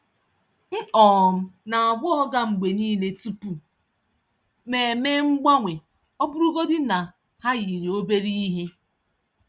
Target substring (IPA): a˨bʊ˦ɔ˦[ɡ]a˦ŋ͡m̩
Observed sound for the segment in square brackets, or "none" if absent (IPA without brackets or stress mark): ɡ